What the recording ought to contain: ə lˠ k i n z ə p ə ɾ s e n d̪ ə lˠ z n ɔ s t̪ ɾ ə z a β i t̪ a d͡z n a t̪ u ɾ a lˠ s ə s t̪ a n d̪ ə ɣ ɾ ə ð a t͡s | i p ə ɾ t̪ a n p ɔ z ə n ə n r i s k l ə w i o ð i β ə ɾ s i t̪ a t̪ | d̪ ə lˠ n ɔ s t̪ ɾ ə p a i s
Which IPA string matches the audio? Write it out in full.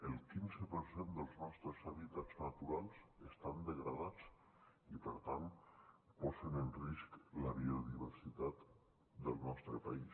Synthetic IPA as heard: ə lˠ k i n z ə p ə ɾ s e n d̪ ə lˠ z n ɔ s t̪ ɾ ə z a β i t̪ a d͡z n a t̪ u ɾ a lˠ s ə s t̪ a n d̪ ə ɣ ɾ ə ð a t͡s | i p ə ɾ t̪ a n p ɔ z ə n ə n r i s k l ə β i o ð i β ə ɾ s i t̪ a t̪ | d̪ ə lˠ n ɔ s t̪ ɾ ə p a i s